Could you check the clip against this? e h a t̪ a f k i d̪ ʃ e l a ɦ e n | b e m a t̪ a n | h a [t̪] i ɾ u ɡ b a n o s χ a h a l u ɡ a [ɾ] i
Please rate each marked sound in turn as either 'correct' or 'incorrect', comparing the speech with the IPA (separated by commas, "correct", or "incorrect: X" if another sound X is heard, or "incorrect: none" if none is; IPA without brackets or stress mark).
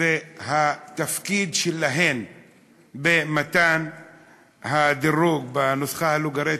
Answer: incorrect: d̪, correct